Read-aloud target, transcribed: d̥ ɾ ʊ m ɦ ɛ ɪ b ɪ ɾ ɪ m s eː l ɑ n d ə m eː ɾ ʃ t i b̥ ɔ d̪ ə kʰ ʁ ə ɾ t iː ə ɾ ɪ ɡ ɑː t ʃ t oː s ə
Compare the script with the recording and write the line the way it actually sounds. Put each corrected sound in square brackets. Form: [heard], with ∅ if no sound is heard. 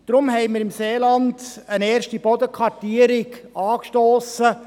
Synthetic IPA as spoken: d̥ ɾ ʊ m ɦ ɛ ɪ [m] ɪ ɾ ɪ m s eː l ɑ n d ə [n] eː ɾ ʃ t i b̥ ɔ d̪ ə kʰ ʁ [ɑ] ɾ t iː ə ɾ ɪ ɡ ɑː [k] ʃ t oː s ə